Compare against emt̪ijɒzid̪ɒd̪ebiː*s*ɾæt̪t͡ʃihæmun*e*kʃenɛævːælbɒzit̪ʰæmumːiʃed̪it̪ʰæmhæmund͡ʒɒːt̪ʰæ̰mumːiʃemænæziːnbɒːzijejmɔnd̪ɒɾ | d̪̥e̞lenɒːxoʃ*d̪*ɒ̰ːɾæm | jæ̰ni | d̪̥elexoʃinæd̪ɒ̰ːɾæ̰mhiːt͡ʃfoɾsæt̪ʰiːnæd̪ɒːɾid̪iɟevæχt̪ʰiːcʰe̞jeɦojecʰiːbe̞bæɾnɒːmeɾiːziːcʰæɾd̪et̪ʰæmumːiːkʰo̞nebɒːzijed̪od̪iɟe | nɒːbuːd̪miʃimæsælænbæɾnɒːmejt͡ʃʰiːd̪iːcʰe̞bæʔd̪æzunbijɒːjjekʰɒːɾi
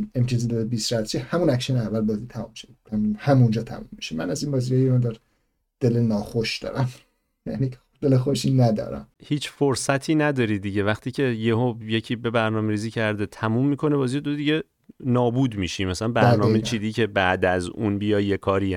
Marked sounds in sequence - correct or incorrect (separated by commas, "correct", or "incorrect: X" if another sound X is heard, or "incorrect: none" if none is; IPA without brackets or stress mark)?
correct, incorrect: æ, correct